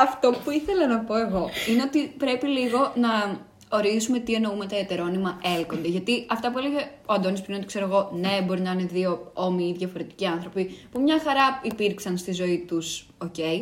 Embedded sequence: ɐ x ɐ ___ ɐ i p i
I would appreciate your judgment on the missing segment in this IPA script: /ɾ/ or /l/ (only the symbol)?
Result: ɾ